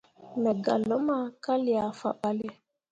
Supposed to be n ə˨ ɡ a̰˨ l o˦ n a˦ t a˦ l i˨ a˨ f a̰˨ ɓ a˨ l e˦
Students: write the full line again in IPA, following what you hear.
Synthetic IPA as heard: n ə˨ ɡ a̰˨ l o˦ m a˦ k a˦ l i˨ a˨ f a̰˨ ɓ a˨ l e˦